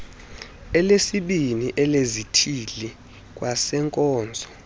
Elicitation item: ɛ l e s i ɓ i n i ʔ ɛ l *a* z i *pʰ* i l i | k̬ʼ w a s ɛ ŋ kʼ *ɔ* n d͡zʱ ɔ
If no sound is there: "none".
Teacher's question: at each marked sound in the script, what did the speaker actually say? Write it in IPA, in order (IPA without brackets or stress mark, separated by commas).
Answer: e, tʰ, ɔː